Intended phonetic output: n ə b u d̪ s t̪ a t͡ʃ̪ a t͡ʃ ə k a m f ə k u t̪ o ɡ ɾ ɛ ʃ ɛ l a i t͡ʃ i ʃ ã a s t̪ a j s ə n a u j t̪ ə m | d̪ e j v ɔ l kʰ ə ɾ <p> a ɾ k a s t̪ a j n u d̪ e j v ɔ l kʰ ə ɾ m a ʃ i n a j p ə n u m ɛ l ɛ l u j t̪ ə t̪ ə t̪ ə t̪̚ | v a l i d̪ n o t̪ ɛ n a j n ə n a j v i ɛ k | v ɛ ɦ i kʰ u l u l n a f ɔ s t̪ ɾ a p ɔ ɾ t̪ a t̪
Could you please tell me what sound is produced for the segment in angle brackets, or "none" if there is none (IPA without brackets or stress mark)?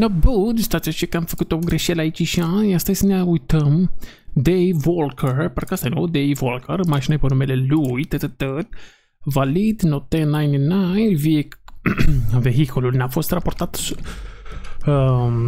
p